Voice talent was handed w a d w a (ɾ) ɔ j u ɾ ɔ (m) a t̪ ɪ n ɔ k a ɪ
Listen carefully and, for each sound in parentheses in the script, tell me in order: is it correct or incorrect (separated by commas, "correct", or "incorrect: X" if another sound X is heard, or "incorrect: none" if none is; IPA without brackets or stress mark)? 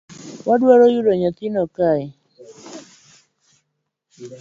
correct, incorrect: ɲ